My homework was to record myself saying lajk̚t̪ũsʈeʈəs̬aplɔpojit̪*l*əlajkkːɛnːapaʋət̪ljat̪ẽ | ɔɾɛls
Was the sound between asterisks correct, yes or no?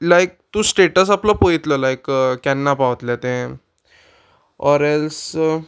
yes